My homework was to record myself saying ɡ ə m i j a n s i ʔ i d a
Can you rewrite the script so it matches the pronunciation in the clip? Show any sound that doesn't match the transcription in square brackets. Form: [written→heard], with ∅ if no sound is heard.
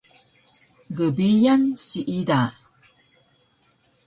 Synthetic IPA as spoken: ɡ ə [m→b] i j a n s i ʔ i d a